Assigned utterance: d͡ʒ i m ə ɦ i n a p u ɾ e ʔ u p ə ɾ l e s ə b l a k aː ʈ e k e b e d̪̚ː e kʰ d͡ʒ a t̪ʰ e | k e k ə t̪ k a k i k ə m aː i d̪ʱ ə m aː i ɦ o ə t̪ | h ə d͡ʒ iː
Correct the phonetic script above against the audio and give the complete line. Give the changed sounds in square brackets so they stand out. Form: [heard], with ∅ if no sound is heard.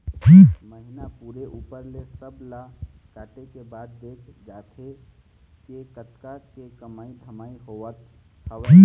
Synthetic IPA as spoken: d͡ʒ i m ə ɦ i n a p u ɾ e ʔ u p ə ɾ l e s ə b l a k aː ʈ e k e b [a] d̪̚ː e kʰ d͡ʒ a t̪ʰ e | k e k ə t̪ k a k [e] k ə m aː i d̪ʱ ə m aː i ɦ o ə t̪ | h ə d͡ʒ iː